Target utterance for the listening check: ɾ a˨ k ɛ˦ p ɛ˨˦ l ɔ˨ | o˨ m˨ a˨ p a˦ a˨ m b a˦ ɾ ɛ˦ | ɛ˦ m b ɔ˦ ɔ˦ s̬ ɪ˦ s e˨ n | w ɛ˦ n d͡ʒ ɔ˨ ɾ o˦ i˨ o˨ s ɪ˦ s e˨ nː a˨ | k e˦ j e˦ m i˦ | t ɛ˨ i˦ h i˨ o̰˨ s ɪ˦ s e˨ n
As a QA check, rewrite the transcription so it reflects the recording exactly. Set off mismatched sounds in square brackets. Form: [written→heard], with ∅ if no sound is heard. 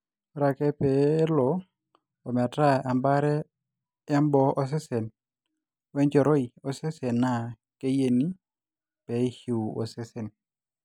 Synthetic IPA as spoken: ɾ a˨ k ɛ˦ p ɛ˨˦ l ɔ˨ | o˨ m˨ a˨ [p→t] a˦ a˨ m b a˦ ɾ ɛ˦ | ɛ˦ m b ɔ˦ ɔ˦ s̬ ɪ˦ s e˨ n | w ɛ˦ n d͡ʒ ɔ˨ ɾ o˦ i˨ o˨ s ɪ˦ s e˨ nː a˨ | k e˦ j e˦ [m→n] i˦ | [t→p] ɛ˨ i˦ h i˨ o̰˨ s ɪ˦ s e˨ n